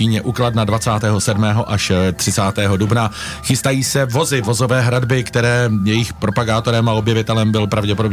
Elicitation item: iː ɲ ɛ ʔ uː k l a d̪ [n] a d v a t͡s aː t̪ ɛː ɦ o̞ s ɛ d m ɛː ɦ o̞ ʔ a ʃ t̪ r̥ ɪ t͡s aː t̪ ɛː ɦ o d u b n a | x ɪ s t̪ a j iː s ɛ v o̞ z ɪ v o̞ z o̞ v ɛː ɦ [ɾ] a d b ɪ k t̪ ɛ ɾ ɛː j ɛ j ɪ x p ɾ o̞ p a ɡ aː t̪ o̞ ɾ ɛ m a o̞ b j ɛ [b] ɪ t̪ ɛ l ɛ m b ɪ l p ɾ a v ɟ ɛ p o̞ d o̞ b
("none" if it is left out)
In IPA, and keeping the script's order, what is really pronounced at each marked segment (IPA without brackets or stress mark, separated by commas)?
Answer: n, ɾ, v